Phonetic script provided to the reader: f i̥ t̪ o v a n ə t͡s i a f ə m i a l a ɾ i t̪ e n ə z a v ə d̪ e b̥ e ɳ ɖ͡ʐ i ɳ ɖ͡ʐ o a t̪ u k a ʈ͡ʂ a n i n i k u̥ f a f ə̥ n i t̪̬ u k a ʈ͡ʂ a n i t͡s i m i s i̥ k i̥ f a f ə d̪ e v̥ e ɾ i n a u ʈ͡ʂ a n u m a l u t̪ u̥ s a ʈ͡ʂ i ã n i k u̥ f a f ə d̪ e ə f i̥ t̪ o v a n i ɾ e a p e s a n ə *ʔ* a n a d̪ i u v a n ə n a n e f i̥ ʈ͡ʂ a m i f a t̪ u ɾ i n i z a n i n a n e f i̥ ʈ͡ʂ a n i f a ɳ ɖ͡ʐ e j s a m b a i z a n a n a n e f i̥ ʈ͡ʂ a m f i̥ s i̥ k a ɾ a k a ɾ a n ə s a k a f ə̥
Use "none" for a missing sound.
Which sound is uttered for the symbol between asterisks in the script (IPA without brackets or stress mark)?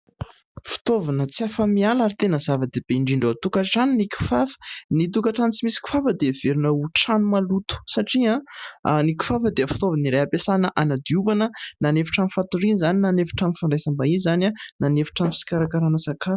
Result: ʔ